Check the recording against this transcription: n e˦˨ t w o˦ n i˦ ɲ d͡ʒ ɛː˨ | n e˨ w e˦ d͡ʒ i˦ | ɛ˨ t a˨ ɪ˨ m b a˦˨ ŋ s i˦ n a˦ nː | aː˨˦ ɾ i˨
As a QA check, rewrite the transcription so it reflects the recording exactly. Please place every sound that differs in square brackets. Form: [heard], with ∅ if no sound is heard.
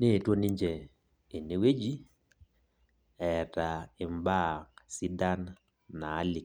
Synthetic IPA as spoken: n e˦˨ t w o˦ n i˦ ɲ d͡ʒ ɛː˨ | n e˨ w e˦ d͡ʒ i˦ | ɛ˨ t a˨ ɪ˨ m b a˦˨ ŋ s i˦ [d] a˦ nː | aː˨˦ [l] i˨